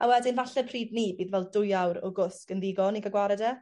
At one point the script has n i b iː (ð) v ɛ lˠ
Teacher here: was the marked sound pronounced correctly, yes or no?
yes